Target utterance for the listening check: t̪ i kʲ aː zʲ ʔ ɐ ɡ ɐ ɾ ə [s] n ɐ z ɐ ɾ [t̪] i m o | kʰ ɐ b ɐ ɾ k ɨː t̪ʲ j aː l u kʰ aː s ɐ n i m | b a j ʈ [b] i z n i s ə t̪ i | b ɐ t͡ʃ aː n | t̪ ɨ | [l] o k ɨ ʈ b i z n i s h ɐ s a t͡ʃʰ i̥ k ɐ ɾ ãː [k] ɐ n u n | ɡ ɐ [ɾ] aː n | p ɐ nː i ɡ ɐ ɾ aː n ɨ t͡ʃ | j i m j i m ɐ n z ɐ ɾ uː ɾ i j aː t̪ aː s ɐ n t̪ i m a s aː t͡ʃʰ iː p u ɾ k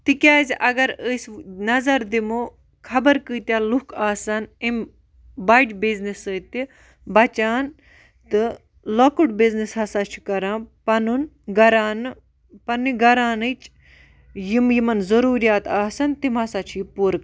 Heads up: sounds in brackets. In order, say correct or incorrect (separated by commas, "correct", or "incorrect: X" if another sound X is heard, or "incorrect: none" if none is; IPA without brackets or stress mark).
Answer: correct, incorrect: d̪, correct, correct, incorrect: p, correct